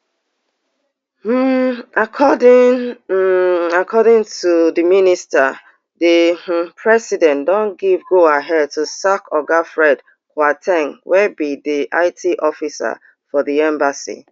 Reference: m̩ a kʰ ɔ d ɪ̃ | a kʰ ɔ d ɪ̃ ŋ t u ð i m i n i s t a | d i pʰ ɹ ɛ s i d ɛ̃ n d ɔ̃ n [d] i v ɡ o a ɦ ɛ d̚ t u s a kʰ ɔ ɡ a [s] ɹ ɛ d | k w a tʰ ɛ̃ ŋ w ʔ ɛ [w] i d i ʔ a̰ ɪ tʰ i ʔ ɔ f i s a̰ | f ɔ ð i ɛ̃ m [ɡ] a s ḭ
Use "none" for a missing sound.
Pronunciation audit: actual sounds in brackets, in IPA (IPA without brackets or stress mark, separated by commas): ɡ, f, b, b